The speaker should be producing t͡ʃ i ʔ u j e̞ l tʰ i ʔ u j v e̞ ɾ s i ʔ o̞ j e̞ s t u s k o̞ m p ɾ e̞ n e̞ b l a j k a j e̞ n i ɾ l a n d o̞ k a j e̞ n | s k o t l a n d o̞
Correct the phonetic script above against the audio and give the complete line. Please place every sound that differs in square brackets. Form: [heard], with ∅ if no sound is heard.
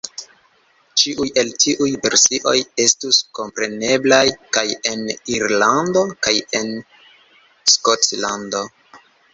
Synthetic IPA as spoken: t͡ʃ i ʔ u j e̞ l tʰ i ʔ u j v e̞ ɾ s i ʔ o̞ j e̞ s t u s k o̞ m p ɾ e̞ n e̞ b l a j k a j e̞ n i ɾ l a n d o̞ k a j e̞ n | s k o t l a n d o̞